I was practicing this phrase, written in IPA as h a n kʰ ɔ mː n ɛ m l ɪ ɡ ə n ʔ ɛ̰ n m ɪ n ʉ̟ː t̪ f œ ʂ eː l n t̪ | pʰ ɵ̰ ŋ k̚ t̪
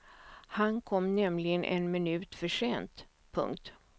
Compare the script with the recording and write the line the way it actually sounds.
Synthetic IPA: h a n kʰ ɔ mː n ɛ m l ɪ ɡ ə n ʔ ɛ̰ n m ɪ n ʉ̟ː t̪ f œ ʂ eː n t̪ | pʰ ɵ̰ ŋ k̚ t̪